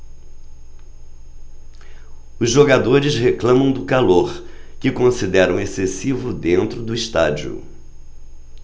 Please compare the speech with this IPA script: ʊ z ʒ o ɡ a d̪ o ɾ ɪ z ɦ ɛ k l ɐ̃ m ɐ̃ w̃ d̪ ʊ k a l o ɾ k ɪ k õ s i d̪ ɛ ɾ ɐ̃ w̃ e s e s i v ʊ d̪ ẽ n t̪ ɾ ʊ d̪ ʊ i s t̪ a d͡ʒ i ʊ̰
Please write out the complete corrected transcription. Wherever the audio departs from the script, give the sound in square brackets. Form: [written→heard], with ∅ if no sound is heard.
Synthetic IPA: ʊ z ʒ o ɡ a d̪ o ɾ ɪ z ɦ [ɛ→e] k l ɐ̃ m ɐ̃ w̃ d̪ ʊ k a l o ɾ k ɪ k õ s i d̪ ɛ ɾ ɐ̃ w̃ e s e s i v ʊ d̪ ẽ n t̪ ɾ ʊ d̪ ʊ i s t̪ a d͡ʒ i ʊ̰